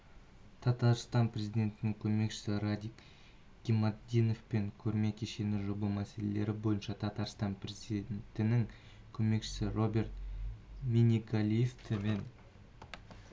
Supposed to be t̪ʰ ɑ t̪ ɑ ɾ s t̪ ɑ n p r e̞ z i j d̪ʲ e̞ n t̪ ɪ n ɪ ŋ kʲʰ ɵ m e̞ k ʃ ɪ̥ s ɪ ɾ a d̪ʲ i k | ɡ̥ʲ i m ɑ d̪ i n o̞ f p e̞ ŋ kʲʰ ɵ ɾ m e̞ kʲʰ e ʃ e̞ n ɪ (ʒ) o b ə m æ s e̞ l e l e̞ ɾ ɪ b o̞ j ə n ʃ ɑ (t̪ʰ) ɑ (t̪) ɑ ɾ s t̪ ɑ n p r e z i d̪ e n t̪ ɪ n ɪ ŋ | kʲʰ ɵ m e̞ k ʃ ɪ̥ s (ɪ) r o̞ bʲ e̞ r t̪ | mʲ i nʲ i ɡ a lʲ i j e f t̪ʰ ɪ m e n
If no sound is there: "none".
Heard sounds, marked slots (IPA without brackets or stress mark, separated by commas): ʒ, t̪ʰ, t̪, ɪ